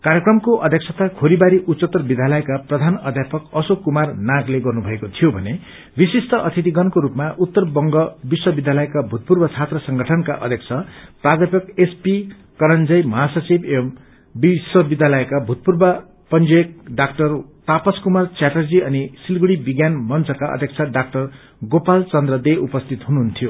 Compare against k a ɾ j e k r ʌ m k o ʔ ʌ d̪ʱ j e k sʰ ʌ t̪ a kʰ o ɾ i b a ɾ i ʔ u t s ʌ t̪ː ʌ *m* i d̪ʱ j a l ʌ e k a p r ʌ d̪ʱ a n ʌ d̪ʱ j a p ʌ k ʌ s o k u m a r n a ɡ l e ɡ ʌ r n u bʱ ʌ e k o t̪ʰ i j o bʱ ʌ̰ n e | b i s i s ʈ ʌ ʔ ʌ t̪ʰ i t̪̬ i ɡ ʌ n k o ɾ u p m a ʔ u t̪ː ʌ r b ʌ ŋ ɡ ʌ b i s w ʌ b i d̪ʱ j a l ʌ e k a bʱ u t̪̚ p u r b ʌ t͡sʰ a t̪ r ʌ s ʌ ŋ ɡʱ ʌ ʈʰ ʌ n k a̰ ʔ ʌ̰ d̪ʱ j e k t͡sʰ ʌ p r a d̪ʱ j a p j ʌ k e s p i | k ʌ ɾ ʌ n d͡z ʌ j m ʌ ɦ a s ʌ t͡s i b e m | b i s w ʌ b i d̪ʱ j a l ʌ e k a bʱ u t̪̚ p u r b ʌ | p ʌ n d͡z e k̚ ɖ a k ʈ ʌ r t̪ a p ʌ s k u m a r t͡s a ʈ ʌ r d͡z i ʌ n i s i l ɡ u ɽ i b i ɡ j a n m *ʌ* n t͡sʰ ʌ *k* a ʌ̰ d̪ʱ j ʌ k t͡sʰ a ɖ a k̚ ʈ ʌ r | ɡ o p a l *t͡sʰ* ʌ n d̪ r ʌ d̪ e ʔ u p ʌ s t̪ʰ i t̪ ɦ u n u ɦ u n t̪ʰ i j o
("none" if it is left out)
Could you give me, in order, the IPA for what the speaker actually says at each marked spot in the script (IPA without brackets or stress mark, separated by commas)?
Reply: b, ʌ, k, t͡s